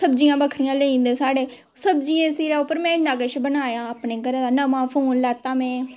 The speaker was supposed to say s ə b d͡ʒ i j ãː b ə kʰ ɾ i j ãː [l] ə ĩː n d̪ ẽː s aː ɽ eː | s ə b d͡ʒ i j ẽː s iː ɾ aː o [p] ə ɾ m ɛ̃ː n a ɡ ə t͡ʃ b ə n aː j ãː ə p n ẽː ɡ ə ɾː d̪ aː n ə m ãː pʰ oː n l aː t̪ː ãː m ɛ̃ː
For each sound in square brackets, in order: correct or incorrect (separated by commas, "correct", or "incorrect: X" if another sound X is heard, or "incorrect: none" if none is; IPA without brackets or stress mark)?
correct, correct